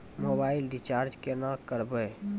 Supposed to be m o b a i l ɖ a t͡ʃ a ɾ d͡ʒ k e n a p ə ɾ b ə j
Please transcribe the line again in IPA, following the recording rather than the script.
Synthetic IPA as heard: m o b a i l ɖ i t͡ʃ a ɾ d͡ʒ k e n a k ə ɾ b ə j